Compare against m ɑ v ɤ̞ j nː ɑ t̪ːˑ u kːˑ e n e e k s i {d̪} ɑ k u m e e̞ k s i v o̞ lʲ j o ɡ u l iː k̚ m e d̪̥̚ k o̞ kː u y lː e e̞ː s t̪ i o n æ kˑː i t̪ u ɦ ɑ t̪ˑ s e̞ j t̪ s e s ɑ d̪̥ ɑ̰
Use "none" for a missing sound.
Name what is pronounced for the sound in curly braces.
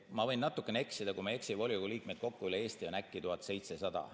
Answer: d̪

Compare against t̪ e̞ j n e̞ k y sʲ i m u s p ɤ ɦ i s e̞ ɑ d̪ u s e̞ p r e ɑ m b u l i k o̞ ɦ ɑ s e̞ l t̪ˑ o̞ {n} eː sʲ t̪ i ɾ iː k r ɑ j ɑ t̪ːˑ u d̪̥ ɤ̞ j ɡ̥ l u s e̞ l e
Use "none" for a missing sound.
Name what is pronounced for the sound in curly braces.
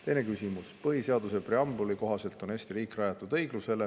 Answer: n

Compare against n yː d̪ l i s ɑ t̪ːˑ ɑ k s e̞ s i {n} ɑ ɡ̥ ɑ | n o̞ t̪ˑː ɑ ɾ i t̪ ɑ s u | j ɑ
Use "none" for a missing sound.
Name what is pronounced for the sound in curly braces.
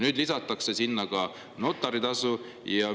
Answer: nː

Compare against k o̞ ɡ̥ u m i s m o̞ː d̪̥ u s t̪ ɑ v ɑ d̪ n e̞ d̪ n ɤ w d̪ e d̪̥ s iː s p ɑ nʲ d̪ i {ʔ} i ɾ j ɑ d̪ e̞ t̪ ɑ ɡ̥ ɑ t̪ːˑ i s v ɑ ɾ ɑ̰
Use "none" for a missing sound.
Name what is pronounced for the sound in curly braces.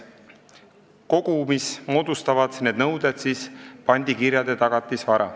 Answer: k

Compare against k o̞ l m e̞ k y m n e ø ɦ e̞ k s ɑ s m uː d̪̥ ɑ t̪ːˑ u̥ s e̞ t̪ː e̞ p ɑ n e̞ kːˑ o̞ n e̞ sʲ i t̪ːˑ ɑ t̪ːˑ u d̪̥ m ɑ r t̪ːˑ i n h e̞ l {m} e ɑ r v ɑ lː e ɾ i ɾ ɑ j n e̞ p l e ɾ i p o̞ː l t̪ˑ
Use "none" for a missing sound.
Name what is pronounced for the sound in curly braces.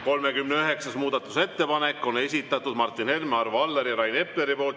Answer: m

